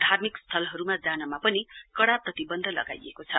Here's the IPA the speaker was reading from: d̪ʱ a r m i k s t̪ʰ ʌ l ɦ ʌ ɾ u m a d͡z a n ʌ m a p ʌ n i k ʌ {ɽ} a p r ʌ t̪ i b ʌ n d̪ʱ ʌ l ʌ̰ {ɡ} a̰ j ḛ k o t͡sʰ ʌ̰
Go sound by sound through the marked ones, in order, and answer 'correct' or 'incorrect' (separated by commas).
correct, correct